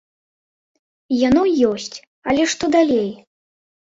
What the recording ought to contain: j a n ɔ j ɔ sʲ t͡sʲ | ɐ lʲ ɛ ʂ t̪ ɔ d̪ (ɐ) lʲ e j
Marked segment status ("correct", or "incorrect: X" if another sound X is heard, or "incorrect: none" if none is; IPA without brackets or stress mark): incorrect: a